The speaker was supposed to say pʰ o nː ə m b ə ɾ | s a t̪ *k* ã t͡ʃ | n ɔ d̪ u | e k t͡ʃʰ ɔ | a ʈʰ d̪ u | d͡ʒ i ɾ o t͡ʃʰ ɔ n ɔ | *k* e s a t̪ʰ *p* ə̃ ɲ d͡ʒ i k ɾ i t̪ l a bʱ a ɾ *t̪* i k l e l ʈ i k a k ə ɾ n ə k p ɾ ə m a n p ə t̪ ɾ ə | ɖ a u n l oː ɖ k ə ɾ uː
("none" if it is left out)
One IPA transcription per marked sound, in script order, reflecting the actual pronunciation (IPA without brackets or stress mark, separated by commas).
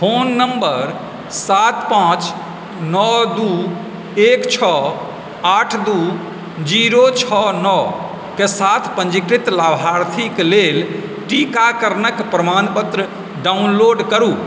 p, k, p, t̪ʰ